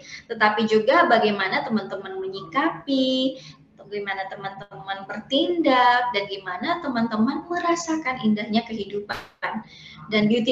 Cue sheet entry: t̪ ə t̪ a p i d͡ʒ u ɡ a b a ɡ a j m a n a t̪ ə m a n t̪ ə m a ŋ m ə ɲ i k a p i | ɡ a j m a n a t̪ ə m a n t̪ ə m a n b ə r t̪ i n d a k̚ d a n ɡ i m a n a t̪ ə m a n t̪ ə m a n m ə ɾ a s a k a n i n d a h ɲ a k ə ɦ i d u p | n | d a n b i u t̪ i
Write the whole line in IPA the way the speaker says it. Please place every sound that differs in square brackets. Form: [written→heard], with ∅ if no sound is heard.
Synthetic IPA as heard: t̪ ə t̪ a p i d͡ʒ u ɡ a b a ɡ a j m a n a t̪ ə m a n t̪ ə m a [ŋ→n] m ə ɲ i k a p i | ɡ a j m a n a t̪ ə m a n t̪ ə m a n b ə r t̪ i n d a k̚ d a n ɡ i m a n a t̪ ə m a n t̪ ə m a n m ə ɾ a s a k a n i n d a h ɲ a k ə ɦ i d u p | n | d a n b i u t̪ i

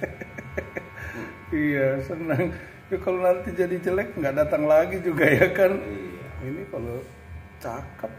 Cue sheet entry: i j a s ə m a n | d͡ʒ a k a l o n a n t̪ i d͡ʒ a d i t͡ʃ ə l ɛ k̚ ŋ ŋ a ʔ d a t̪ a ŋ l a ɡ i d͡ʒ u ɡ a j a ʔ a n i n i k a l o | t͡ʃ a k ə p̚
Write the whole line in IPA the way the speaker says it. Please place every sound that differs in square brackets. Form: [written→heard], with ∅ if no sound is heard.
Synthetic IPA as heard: i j a s ə [m→n] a [n→ŋ] | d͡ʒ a k a l o n a n t̪ i d͡ʒ a d i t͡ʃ ə l ɛ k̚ ŋ [ŋ→ɡ] a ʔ d a t̪ a ŋ l a ɡ i d͡ʒ u ɡ a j a [ʔ→k] a n i n i k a l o | t͡ʃ a k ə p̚

